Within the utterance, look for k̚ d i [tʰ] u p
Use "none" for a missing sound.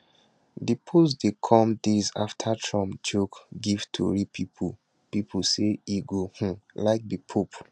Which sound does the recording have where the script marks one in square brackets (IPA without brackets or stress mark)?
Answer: pʰ